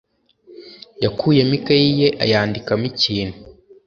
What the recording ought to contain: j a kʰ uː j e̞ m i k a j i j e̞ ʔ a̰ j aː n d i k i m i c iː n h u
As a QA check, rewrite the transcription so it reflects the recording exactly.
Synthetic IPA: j a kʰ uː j e̞ m i k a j i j e̞ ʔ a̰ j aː n d i k a m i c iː n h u